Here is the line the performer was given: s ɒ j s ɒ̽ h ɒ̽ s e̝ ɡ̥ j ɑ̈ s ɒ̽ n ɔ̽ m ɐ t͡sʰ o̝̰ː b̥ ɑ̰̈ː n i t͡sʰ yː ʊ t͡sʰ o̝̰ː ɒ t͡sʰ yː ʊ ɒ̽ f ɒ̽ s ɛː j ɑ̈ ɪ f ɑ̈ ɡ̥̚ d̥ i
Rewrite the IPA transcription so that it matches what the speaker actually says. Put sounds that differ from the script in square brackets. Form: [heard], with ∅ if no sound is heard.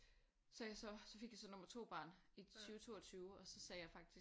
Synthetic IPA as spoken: s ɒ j s ɒ̽ [s] ɒ̽ [f] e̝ ɡ̥ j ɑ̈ s ɒ̽ n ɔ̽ m ɐ t͡sʰ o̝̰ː b̥ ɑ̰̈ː n i t͡sʰ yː ʊ t͡sʰ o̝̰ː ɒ t͡sʰ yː ʊ ɒ̽ [s] ɒ̽ s ɛː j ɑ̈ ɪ f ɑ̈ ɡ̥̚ d̥ i

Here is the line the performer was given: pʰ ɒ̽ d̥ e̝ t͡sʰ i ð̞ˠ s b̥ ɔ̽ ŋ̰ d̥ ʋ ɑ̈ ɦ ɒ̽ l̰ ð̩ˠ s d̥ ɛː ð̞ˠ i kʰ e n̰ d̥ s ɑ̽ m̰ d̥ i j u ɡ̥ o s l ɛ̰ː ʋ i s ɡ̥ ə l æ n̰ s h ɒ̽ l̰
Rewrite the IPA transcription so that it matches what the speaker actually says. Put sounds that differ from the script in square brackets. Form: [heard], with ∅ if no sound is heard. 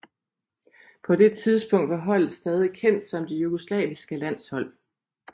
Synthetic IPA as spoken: pʰ ɒ̽ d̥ e̝ t͡sʰ i ð̞ˠ s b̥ ɔ̽ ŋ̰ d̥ ʋ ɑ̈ ɦ ɒ̽ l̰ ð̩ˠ s d̥ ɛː ð̞ˠ i kʰ e n̰ d̥ s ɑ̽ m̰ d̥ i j u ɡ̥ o s l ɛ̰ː ʋ i s ɡ̥ ə l æ n̰ s h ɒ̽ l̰

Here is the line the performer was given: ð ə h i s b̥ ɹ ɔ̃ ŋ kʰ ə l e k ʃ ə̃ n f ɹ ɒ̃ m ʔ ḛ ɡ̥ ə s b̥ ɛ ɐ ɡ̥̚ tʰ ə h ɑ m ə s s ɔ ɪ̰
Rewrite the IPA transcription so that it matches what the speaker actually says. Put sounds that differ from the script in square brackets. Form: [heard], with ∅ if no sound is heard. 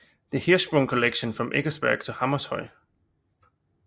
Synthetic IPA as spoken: ð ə h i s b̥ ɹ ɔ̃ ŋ kʰ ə l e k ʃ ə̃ n f ɹ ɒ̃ m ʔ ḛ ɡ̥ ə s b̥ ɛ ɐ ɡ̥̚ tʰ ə h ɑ m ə s [h] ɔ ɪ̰

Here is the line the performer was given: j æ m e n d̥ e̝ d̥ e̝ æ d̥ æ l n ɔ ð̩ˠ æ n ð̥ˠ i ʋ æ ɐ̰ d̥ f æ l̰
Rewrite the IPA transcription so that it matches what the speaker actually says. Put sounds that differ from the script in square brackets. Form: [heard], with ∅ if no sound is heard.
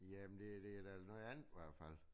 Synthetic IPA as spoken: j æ m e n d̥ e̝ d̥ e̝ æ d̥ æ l n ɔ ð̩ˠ æ n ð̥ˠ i ʋ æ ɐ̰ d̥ f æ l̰

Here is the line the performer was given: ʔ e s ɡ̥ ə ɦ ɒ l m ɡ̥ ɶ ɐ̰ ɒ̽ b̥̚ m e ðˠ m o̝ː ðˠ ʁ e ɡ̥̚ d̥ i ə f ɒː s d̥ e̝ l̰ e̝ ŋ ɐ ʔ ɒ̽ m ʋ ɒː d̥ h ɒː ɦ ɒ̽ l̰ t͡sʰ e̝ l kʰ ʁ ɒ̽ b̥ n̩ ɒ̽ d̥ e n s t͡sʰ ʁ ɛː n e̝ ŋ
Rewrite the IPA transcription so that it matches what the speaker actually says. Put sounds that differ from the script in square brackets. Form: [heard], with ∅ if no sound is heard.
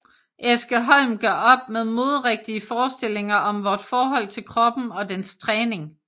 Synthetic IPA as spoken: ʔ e s ɡ̥ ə ɦ ɒ l m ɡ̥ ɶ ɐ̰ ɒ̽ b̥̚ m e ðˠ m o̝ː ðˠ ʁ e ɡ̥̚ d̥ i ə f ɒː s d̥ e̝ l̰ e̝ ŋ ɐ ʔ ɒ̽ m ʋ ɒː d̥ [f] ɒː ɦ ɒ̽ l̰ t͡sʰ e̝ l kʰ ʁ ɒ̽ b̥ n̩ ɒ̽ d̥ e n s t͡sʰ ʁ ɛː n e̝ ŋ

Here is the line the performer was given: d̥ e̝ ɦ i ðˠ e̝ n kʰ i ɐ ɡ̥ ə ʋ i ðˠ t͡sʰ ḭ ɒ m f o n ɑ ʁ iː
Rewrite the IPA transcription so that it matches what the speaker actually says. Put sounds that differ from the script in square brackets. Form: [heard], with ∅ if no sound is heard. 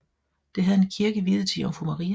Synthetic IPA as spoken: d̥ e̝ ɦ [æ] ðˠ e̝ n kʰ i ɐ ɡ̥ ə ʋ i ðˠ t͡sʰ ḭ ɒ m f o [m] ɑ ʁ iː

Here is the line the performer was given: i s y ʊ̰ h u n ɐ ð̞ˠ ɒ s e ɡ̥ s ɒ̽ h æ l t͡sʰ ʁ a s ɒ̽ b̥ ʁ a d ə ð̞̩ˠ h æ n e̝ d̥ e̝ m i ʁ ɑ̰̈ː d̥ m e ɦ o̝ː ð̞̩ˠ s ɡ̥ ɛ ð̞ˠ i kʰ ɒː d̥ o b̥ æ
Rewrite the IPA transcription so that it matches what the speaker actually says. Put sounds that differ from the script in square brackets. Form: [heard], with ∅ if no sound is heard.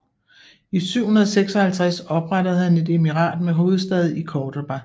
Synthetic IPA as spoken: i s y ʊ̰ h u n ɐ ð̞ˠ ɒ s e ɡ̥ s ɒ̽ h æ l t͡sʰ ʁ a s ɒ̽ b̥ ʁ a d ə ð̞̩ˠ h æ n e̝ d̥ e̝ m i ʁ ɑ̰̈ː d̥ m e ɦ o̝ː ð̞̩ˠ s [d̥] ɛ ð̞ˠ i kʰ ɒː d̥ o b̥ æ

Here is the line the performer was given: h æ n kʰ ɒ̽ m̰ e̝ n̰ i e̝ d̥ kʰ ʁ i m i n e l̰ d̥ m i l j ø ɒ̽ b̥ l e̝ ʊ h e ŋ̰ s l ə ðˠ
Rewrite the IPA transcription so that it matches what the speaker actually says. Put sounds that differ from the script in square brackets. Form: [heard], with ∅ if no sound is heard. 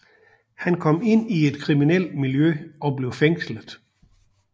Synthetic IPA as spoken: h æ n kʰ ɒ̽ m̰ e̝ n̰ i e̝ d̥ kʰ ʁ i m i n e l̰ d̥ m i l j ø ɒ̽ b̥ l e̝ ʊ [f] e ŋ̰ s l ə ðˠ

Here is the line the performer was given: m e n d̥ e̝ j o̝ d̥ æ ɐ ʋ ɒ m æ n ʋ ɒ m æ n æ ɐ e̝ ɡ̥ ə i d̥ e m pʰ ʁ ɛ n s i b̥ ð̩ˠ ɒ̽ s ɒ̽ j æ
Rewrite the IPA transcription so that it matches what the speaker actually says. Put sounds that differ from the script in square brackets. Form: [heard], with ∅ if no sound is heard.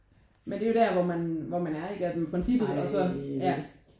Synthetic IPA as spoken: m e n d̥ e̝ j o̝ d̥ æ ɐ ʋ ɒ m æ n ʋ ɒ m æ n æ ɐ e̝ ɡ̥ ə [æ] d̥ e m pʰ ʁ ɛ n s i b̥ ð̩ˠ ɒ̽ s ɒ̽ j æ

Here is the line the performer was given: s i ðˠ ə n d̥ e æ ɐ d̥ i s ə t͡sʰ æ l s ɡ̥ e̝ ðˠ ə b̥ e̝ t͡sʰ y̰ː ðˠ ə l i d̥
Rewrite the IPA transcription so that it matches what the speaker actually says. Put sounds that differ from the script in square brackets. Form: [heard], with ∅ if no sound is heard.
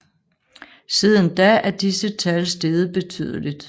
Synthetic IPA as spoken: s i ðˠ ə n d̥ [æ] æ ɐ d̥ i s ə t͡sʰ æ l s [d̥] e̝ ðˠ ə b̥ e̝ t͡sʰ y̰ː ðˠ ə l i d̥

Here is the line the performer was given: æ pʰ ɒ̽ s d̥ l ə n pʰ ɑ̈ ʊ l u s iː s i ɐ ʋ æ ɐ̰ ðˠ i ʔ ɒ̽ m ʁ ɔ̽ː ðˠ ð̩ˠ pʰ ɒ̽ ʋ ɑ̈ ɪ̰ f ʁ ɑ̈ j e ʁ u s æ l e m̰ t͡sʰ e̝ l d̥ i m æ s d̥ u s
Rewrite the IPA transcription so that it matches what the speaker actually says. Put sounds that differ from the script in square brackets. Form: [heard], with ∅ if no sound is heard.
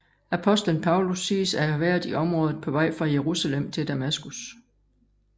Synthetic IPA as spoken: æ pʰ ɒ̽ s d̥ l ə n pʰ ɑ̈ ʊ l u s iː s [æ] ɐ ʋ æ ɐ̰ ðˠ i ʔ ɒ̽ m ʁ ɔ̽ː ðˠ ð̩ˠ pʰ ɒ̽ ʋ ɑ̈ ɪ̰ f ʁ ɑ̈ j e ʁ u s æ l e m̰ t͡sʰ e̝ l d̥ [æ] m æ s [ɡ̥] u s

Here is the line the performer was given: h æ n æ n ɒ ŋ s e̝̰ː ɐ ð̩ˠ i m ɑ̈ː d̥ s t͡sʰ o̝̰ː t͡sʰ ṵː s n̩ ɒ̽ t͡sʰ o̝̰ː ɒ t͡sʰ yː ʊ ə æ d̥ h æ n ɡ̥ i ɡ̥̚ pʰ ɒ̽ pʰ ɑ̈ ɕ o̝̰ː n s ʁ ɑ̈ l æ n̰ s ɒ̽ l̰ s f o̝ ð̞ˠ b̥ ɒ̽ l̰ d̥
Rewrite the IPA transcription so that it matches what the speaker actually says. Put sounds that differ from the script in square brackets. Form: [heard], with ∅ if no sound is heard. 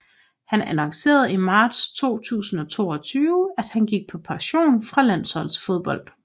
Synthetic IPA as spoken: h æ n æ n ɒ ŋ s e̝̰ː ɐ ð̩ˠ i m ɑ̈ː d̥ s t͡sʰ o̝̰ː t͡sʰ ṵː s n̩ ɒ̽ t͡sʰ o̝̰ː ɒ t͡sʰ yː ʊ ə æ d̥ h æ n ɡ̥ i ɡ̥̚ pʰ ɒ̽ pʰ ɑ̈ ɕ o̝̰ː n [f] ʁ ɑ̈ l æ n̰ s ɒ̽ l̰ s f o̝ ð̞ˠ b̥ ɒ̽ l̰ d̥

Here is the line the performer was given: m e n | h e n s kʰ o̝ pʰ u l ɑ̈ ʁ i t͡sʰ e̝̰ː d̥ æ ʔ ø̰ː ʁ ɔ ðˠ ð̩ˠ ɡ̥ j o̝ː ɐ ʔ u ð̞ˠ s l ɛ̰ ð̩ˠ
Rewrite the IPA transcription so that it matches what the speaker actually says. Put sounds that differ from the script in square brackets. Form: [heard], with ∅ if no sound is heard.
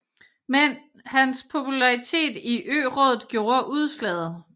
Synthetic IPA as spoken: m e n | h [æ] n s [pʰ] o̝ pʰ u l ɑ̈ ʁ i t͡sʰ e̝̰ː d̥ [i] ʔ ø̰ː ʁ ɔ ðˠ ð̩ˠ ɡ̥ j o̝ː ɐ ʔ u ð̞ˠ s l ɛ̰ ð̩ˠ

